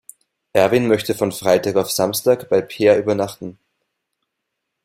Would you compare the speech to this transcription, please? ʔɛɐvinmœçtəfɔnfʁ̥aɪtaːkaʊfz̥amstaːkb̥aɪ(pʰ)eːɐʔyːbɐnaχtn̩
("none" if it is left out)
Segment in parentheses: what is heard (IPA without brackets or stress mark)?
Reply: pʰ